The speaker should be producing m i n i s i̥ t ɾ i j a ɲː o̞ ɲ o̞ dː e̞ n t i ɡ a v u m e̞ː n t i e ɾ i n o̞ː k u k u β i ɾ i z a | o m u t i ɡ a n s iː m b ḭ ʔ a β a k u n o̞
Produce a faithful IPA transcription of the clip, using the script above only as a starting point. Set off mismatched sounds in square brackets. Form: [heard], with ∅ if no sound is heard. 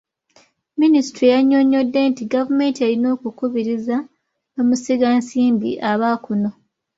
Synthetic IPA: m i n i s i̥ t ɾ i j a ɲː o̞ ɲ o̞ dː e̞ n t i ɡ a v u m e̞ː n t i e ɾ i n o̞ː k u k u β i ɾ i z a | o m u [s] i ɡ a n s iː m b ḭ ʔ a β a k u n o̞